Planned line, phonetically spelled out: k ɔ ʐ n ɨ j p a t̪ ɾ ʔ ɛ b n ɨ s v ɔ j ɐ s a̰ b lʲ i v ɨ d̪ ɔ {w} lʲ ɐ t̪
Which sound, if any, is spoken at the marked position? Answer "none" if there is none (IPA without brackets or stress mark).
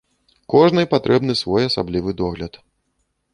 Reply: ɣ